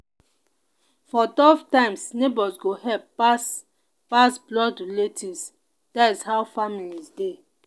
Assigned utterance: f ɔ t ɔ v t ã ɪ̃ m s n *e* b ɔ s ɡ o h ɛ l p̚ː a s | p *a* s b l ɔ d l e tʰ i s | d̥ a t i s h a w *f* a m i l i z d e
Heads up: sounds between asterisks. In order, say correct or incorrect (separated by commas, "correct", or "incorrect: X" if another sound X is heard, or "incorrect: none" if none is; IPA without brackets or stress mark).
correct, correct, correct